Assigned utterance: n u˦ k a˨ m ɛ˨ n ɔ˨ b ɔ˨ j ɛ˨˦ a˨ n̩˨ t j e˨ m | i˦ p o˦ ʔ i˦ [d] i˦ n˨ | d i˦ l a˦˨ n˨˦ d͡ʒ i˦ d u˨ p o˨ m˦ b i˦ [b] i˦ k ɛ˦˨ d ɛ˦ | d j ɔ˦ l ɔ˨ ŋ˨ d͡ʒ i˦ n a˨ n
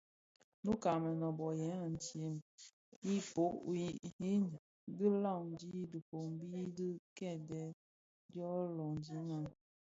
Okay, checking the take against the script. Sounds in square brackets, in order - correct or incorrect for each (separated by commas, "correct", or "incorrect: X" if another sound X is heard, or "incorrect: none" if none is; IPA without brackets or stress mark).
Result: incorrect: none, incorrect: d